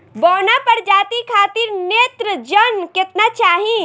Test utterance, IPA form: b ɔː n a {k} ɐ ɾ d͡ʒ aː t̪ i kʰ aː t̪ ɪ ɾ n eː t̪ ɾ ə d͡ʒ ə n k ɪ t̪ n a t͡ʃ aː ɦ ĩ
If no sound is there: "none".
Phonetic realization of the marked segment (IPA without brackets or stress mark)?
p